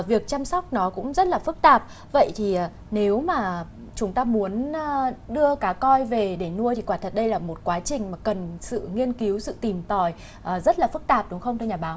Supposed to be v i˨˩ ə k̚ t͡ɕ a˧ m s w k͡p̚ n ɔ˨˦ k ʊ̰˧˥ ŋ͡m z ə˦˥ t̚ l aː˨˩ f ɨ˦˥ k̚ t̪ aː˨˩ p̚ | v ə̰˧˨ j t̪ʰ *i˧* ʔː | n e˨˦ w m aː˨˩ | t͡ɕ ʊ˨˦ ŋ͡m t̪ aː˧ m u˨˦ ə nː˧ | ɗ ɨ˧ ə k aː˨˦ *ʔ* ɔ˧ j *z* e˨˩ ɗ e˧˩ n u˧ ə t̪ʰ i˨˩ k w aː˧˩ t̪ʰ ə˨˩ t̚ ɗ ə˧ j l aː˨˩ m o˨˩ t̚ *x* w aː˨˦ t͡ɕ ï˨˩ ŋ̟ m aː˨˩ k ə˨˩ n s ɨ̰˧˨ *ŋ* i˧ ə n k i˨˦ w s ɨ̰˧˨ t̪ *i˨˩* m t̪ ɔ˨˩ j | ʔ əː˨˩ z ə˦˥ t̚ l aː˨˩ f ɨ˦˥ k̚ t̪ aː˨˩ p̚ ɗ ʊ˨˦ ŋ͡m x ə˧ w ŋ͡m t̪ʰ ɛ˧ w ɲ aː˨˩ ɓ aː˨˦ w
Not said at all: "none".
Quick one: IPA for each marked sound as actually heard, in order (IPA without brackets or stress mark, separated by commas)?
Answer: i˨˩, k, v, k, ŋ, i˨˩